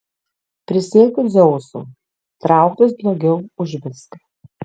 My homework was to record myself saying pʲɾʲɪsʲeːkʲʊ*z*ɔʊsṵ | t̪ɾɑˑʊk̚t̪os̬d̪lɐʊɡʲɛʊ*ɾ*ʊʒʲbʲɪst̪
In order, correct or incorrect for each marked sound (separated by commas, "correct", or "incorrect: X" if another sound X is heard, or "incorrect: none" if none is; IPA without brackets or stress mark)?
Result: correct, incorrect: none